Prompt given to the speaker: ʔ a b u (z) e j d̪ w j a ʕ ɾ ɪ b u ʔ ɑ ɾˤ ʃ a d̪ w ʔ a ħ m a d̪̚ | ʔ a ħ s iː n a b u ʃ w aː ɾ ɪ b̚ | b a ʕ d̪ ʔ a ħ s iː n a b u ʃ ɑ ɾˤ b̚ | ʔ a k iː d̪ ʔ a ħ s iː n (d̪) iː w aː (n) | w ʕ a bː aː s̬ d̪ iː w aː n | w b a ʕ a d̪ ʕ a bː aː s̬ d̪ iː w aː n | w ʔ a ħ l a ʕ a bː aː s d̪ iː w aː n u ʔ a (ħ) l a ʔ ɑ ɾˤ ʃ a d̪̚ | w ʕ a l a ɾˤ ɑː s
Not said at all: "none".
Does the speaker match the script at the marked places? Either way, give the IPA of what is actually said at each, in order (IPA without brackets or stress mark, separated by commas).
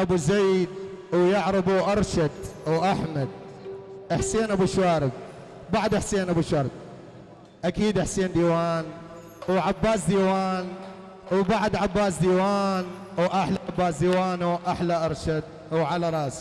z, d̪, n, ħ